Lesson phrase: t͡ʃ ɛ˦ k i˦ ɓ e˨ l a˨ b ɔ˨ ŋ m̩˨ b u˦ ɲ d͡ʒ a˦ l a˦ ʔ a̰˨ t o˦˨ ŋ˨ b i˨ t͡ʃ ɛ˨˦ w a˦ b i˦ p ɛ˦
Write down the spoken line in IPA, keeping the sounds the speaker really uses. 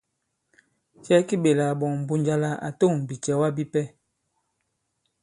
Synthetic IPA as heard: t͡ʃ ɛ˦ k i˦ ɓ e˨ l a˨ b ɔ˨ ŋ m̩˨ b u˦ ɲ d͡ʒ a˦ l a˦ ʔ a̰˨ t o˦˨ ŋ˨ b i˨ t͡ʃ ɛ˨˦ w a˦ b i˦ p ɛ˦